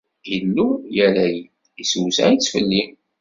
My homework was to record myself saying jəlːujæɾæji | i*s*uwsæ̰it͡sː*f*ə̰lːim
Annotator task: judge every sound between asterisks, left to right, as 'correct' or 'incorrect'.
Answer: correct, correct

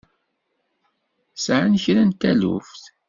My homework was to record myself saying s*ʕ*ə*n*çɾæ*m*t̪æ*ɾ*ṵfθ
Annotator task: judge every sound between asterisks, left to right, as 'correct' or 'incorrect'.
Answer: correct, correct, incorrect, incorrect

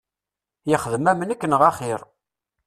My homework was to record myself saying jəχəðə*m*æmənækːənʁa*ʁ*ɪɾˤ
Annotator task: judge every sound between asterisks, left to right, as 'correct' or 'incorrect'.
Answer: correct, incorrect

